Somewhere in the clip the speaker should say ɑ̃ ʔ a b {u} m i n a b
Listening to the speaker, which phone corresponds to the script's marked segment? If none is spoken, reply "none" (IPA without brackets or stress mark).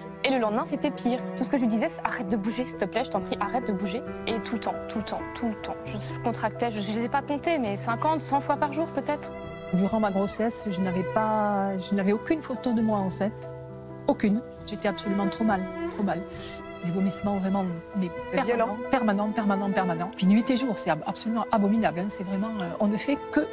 ɔ